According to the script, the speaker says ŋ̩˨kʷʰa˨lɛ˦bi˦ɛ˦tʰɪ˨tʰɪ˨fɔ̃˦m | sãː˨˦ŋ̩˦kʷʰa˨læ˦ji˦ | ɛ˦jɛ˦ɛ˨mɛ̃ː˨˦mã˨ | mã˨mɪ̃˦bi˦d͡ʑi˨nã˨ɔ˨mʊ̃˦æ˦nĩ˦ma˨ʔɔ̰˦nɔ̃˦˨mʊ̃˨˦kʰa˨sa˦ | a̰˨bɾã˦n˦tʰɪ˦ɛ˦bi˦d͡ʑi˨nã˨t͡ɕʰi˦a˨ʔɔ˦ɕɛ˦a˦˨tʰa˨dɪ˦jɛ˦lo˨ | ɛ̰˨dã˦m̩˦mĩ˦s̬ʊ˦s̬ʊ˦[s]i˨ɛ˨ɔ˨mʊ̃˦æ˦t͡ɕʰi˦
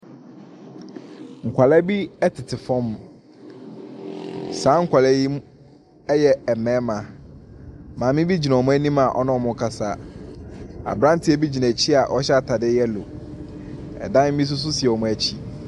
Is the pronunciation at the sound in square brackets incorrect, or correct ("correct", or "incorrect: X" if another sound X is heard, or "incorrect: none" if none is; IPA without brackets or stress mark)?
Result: correct